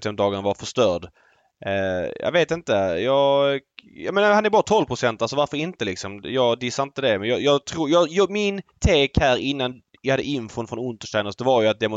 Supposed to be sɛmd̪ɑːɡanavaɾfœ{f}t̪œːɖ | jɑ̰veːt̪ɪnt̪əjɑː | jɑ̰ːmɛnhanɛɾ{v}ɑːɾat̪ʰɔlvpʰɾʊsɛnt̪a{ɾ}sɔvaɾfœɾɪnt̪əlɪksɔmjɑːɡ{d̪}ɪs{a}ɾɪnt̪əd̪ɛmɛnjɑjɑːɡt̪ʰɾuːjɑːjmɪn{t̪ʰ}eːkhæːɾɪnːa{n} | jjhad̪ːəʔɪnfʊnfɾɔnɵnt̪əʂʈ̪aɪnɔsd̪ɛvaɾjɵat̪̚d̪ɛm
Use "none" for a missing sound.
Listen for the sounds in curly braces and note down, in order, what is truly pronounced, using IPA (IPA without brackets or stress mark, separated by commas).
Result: ʂ, b, l, d̪, a, t̪ʰ, n